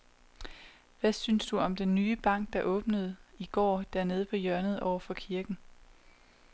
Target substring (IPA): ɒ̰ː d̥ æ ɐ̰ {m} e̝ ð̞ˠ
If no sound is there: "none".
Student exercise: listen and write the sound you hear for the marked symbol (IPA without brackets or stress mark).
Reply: n